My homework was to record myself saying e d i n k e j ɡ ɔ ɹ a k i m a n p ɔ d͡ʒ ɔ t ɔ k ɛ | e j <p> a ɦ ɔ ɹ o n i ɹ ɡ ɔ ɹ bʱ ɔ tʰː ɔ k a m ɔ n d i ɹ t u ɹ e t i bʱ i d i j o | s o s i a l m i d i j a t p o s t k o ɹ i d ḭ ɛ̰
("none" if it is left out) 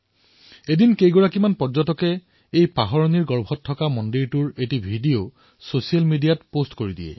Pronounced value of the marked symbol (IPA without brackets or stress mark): p